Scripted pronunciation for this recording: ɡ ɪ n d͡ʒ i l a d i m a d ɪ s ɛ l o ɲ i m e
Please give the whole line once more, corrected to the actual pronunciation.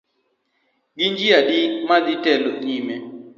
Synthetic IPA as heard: ɡ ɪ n d͡ʒ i a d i m a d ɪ t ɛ l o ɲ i m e